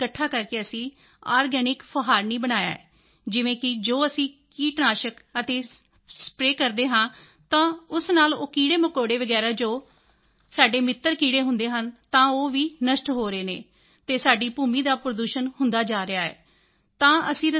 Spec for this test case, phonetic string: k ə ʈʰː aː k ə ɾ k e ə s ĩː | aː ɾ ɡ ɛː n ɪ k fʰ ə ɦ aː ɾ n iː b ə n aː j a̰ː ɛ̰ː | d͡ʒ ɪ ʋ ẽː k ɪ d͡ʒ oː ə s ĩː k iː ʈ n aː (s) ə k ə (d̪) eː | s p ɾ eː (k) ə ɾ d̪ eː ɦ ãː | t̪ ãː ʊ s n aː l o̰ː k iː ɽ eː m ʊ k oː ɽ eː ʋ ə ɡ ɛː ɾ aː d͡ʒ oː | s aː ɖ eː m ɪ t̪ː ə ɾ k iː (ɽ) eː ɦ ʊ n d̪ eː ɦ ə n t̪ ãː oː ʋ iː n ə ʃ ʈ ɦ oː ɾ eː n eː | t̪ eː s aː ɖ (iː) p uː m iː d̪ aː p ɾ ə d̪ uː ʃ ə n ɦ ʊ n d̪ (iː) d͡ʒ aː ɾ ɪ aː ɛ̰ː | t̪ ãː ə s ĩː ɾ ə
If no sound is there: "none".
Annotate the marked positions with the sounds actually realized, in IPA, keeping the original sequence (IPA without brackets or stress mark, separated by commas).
ʃ, t̪, k, ɽ, iː, aː